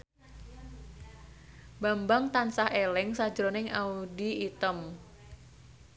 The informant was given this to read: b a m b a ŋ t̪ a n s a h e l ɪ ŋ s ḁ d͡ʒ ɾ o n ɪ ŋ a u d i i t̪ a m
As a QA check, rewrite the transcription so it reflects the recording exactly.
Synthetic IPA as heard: b a m b a ŋ t̪ a n s a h e l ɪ ŋ s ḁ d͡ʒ ɾ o n ɪ ŋ a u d i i t̪ ə m